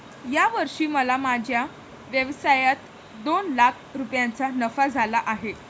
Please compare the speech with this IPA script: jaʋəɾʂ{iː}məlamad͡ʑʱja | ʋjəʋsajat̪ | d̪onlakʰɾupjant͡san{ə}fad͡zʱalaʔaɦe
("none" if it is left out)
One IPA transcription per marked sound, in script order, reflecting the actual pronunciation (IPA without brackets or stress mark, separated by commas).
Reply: iː, ə